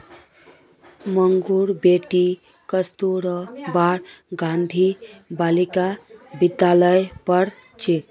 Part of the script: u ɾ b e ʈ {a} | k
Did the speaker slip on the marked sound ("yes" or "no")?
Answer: yes